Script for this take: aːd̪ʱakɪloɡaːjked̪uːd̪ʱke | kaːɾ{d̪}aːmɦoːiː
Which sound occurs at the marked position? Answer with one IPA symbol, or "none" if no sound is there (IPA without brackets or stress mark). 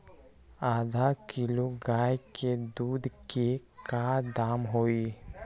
d̪